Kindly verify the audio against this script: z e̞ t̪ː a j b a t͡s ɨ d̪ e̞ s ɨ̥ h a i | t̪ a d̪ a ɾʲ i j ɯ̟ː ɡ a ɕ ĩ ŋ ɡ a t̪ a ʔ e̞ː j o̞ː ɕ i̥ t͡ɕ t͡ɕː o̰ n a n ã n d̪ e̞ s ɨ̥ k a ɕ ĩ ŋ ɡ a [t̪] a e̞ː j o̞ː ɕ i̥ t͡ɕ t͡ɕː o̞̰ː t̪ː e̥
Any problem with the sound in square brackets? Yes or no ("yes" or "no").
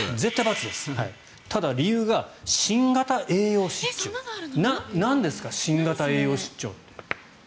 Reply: no